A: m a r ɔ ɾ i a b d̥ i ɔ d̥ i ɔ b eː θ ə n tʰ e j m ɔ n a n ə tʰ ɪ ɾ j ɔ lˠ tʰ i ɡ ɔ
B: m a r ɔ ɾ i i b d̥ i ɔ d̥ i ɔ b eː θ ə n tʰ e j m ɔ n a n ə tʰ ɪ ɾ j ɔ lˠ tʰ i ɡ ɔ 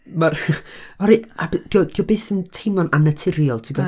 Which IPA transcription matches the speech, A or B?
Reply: A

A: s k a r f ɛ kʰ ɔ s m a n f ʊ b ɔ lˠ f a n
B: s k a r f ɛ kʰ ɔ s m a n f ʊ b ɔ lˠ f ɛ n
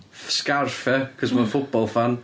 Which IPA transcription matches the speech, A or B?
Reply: A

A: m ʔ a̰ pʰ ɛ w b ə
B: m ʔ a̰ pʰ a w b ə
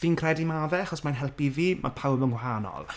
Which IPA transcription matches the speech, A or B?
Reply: B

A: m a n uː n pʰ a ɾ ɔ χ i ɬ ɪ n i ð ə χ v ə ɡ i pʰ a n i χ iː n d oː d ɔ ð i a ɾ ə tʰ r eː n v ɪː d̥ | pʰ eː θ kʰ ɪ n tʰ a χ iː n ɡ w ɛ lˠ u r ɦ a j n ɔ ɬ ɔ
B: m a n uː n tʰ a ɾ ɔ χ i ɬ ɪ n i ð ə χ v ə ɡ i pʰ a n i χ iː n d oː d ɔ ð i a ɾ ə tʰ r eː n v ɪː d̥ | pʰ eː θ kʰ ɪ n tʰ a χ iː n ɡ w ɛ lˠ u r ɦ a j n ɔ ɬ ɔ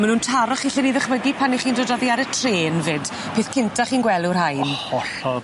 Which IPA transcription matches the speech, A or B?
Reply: B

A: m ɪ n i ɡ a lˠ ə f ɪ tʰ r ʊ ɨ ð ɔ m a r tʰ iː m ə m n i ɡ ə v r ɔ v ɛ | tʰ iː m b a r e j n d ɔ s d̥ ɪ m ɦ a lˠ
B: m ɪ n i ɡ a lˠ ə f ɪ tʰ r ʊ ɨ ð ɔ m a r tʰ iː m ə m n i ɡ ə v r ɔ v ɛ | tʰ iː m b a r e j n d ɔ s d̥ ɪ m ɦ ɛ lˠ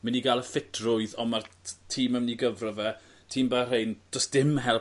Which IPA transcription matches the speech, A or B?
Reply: B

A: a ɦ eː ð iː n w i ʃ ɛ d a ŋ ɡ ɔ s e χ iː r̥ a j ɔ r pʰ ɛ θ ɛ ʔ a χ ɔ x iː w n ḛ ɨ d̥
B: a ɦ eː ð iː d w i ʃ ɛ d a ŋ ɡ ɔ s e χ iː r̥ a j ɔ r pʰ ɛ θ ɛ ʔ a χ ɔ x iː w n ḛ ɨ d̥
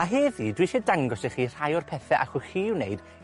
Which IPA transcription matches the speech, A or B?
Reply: B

